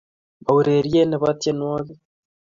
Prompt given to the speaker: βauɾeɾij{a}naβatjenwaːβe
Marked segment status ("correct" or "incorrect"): incorrect